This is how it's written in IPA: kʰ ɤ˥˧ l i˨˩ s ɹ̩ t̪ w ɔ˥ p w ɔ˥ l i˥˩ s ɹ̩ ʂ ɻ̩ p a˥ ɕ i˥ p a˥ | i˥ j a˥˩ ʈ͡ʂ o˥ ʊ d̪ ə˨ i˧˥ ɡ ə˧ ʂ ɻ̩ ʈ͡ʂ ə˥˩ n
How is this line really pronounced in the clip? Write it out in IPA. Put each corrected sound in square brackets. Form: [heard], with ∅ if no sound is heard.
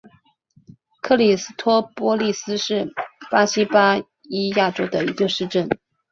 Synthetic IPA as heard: kʰ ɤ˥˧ l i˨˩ s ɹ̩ [t̪ʰ] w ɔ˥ p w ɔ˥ l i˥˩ s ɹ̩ ʂ ɻ̩ p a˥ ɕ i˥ p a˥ | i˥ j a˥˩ ʈ͡ʂ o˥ ʊ d̪ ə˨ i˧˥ ɡ ə˧ ʂ ɻ̩ ʈ͡ʂ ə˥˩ n

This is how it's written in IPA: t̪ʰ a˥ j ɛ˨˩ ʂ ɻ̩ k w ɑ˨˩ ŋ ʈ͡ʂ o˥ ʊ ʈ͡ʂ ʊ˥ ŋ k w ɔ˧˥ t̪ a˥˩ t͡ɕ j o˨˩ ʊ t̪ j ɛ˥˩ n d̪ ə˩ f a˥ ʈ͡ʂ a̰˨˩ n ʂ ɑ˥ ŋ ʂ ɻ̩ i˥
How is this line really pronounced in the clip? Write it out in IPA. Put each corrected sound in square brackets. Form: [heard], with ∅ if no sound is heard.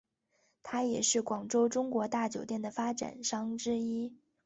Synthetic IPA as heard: t̪ʰ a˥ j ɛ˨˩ ʂ ɻ̩ k w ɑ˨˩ ŋ ʈ͡ʂ o˥ ʊ ʈ͡ʂ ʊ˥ ŋ k w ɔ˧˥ t̪ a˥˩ t͡ɕ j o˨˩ ʊ t̪ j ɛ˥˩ n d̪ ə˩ f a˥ ʈ͡ʂ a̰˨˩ n ʂ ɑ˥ ŋ [ʈ͡ʂ] ɻ̩ i˥

